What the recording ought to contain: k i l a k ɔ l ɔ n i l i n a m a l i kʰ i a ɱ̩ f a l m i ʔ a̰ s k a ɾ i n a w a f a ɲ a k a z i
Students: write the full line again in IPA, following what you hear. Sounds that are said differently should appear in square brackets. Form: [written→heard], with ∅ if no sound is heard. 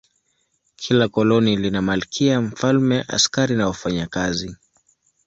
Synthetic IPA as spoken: [k→kʰ] i l a k ɔ l ɔ n i l i n a m a l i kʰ i a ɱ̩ f a l m [i→ɛ] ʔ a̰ s k a ɾ i n a w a f a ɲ a k a z i

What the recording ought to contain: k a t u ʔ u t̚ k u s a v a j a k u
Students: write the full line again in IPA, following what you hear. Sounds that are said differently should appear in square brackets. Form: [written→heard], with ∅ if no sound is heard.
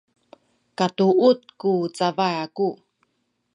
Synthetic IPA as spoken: k a t u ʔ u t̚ k u [s→t͡s] a v a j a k u

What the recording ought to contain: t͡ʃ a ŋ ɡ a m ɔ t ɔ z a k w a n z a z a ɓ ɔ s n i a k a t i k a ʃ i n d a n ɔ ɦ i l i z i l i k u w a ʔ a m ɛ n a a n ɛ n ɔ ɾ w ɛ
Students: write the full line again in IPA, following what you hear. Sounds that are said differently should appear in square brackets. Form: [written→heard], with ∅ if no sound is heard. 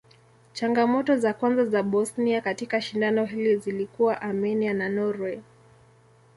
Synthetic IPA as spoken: t͡ʃ a ŋ ɡ a m ɔ t ɔ z a k w a n z a z a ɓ ɔ s n i a k a t i k a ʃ i n d a n ɔ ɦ i l i z i l i k u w a ʔ a m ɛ n [a→i] a n [ɛ→a] n ɔ ɾ w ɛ

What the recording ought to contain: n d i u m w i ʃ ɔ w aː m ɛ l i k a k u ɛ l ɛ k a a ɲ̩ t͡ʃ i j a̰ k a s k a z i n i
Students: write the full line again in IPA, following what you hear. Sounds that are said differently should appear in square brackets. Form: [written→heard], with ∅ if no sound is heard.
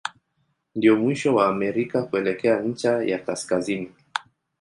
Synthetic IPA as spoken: n d i [u→ɔ] m w i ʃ ɔ w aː m ɛ [l→ɾ] i k a k u ɛ l ɛ k [a→ɛ] a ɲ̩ t͡ʃ [i→a] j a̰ k a s k a z i n i

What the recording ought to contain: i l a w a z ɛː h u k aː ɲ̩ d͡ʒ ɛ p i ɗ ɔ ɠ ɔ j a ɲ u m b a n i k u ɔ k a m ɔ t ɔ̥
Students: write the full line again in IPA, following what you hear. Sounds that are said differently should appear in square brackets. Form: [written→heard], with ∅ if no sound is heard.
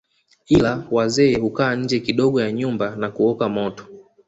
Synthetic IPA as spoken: i l a w a z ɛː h u k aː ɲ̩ d͡ʒ ɛ [p→k] i ɗ ɔ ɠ ɔ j a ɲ u m b a n [i→a] k u ɔ k a m ɔ t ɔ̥

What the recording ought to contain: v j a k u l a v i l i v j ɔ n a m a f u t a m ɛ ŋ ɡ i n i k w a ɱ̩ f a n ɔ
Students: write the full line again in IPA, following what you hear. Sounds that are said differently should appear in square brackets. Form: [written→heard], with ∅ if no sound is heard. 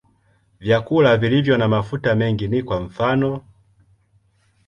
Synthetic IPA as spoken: v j a k u l a v i l i v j ɔ n a m a f u t a m ɛ ŋ ɡ i n i k w a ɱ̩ f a n ɔ

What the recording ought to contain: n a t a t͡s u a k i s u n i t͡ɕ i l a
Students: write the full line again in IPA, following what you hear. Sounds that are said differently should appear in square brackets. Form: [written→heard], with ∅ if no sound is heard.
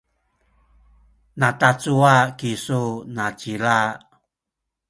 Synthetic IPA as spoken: n a t a t͡s u a k i s u n [i→a] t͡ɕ i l a

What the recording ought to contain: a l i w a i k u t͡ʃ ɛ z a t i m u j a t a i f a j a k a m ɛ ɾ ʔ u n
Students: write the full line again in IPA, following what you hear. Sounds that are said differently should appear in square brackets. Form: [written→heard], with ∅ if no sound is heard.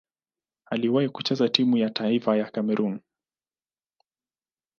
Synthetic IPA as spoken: a l i w a i k u t͡ʃ ɛ z a t i m u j a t a i f a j a k a m ɛ ɾ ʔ u n

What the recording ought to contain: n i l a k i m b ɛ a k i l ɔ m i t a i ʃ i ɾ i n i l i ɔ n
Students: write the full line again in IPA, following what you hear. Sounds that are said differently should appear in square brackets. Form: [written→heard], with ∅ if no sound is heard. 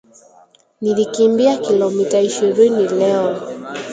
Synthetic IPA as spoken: n i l [a→i] k i m b [ɛ→i] a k i l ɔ m i t a i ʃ i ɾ i n i l [i→ɛ] ɔ n

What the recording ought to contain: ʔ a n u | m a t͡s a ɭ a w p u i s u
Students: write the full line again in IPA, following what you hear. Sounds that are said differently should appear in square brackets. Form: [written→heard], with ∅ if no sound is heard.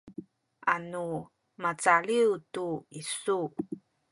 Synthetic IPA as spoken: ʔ a n u | m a t͡s a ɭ [a→i] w [p→t] u i s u

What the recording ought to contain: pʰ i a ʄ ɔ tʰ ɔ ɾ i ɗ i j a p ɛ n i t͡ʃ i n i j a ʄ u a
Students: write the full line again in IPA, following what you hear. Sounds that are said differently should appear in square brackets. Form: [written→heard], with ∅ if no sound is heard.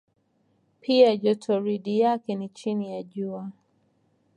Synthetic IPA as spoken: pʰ i a ʄ ɔ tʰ ɔ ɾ i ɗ i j a [p→k] ɛ n i t͡ʃ i n i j a ʄ u a

